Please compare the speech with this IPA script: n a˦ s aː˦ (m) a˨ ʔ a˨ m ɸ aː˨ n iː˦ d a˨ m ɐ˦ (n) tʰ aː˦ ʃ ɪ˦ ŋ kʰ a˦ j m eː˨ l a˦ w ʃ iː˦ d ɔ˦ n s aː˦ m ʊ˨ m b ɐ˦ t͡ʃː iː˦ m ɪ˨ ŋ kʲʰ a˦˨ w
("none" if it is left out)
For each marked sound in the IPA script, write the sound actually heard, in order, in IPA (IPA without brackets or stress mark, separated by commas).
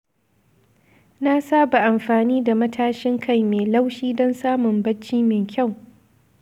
b, none